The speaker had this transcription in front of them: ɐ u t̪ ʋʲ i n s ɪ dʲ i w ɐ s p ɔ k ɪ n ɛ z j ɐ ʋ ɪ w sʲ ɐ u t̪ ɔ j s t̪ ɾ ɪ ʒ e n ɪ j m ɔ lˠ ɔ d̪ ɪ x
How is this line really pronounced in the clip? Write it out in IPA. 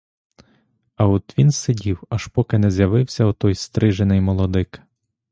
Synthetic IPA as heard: ɐ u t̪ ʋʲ i n s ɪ dʲ i w ɐ ʃ p ɔ k ɪ n ɛ z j ɐ ʋ ɪ w sʲ ɐ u t̪ ɔ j s t̪ ɾ ɪ ʒ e n ɪ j m ɔ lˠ ɔ d̪ ɪ k